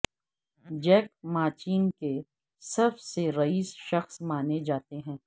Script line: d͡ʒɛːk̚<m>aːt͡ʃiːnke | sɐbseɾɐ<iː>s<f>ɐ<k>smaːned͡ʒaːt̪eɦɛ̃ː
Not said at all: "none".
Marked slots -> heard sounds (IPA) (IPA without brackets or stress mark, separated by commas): m, iː, ʃ, x